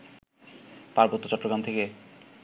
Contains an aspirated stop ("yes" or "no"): yes